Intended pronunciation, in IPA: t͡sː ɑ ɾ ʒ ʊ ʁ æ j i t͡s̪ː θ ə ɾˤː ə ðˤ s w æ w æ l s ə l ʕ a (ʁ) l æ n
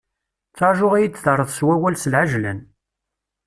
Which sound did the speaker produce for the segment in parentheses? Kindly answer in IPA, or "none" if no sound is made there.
ʒ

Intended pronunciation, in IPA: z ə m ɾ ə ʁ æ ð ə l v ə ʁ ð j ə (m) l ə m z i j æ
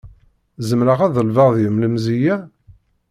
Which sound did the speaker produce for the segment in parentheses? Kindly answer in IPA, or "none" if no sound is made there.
m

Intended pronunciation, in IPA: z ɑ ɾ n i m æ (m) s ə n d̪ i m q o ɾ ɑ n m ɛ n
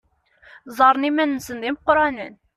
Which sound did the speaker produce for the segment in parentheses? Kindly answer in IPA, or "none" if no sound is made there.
n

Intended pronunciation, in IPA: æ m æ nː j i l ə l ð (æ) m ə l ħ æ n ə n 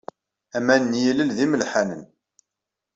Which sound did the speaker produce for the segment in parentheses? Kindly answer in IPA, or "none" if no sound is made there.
i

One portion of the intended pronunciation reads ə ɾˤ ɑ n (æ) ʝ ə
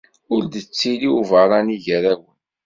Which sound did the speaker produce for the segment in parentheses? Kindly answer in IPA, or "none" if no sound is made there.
i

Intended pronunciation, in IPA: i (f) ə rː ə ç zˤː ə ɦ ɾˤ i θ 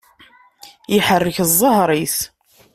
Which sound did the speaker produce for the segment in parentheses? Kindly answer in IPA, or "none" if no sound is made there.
ħ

